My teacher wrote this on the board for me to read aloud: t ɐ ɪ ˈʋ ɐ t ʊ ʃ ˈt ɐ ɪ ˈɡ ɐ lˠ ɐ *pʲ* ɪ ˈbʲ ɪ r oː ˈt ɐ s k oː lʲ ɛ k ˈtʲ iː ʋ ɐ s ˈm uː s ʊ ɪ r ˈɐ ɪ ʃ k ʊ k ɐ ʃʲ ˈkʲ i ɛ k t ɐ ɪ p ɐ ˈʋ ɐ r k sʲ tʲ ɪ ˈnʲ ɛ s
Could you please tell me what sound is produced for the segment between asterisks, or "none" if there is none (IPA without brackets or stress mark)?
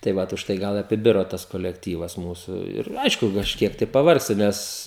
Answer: pʲ